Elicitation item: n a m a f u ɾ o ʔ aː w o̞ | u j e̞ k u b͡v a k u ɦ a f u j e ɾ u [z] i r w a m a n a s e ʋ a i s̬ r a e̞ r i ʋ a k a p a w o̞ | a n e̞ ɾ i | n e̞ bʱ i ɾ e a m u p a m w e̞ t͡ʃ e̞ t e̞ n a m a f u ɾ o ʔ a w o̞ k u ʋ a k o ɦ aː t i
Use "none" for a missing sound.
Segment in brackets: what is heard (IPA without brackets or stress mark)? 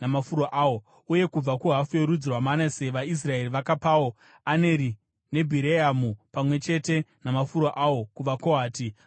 d͡z